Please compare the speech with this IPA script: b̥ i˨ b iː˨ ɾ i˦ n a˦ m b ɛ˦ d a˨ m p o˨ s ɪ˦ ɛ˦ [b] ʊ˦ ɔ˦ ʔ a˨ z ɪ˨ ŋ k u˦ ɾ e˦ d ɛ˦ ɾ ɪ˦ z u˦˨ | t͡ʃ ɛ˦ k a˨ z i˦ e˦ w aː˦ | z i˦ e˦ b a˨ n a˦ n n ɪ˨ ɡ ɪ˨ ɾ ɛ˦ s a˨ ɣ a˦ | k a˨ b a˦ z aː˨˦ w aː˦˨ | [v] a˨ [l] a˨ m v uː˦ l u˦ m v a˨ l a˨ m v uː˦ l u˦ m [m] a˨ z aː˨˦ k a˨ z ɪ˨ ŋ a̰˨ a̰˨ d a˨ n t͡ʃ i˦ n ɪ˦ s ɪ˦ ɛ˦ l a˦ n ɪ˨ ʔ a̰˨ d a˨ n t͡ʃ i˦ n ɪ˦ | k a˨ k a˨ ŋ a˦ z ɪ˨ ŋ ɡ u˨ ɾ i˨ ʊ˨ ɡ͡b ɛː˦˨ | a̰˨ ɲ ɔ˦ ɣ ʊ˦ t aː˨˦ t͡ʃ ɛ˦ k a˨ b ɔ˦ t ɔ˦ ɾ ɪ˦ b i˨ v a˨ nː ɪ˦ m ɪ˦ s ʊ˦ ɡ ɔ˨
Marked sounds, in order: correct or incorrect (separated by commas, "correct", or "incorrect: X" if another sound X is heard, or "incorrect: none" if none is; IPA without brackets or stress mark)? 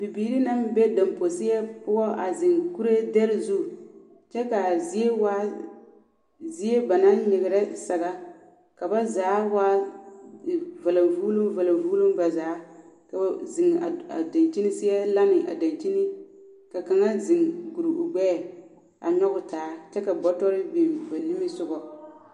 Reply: incorrect: p, correct, correct, incorrect: b